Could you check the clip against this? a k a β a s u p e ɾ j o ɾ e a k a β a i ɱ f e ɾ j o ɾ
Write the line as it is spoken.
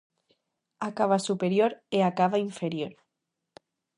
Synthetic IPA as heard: a k a β a s u p e ɾ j o ɾ e a k a β a i ɱ f e ɾ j o ɾ